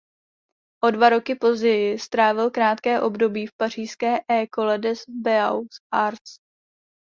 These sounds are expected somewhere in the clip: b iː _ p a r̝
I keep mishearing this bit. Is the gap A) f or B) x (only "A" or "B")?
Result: A